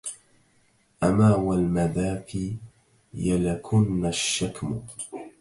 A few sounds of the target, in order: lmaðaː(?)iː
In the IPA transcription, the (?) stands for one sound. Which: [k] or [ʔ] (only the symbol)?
k